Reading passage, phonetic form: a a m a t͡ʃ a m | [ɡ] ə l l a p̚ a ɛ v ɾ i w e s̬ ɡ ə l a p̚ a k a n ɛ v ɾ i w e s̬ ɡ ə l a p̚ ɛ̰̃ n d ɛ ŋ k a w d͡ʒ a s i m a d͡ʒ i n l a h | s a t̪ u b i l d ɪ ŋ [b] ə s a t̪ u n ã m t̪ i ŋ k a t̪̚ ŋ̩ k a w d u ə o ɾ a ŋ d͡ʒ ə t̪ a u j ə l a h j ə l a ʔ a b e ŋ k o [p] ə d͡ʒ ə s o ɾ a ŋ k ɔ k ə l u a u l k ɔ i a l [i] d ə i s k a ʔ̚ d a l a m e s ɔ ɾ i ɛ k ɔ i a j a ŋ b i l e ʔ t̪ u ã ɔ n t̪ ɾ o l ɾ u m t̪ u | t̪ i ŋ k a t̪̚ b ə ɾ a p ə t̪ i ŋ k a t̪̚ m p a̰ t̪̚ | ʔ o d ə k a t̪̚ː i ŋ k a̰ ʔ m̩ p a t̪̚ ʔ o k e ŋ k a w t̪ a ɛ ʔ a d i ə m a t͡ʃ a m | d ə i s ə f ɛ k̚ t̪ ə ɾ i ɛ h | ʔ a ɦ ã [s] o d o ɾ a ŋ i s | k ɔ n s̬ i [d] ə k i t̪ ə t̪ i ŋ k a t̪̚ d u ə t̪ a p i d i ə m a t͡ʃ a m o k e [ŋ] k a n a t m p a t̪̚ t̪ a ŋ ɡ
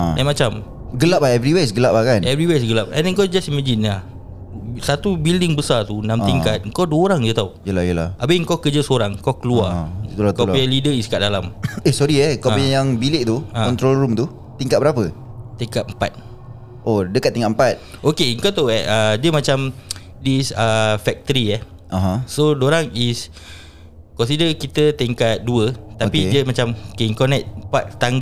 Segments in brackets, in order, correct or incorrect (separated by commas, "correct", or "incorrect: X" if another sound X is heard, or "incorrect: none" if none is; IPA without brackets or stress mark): correct, correct, incorrect: k, correct, correct, correct, correct